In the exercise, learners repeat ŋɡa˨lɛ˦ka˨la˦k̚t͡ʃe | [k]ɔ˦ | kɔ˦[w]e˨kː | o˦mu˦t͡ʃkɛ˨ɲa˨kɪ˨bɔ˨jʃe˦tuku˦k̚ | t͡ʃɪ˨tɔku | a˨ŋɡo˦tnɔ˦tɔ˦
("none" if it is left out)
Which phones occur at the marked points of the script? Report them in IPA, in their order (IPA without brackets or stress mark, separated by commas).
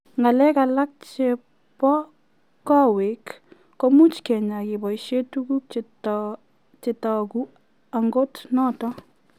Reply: p, w